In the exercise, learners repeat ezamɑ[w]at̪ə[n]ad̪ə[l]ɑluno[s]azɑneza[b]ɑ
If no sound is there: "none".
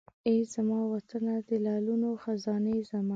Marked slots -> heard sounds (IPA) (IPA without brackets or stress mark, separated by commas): w, n, l, x, m